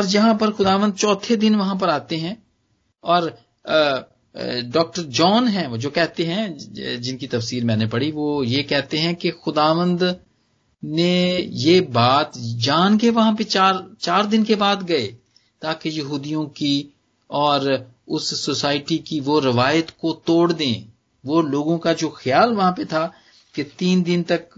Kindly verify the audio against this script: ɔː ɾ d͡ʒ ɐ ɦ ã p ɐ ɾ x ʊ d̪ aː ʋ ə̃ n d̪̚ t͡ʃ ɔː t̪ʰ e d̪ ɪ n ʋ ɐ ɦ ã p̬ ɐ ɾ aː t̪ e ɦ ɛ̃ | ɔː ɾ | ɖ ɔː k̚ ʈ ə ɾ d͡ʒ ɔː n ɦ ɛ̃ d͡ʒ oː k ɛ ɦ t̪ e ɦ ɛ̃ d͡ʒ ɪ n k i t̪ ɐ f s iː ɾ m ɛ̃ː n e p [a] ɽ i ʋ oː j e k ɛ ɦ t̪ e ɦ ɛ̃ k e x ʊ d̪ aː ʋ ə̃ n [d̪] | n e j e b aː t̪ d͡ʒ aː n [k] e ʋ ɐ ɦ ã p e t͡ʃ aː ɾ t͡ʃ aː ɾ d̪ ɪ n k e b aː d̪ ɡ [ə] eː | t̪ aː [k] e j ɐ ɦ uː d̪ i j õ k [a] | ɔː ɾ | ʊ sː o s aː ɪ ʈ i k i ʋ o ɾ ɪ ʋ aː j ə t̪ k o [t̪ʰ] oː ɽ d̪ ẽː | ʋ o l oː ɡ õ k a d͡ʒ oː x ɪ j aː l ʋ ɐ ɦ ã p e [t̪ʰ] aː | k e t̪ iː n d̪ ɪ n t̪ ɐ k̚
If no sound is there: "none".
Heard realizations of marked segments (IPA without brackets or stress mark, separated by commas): ɐ, d̪, k, ɐ, k, i, t̪, t̪ʰ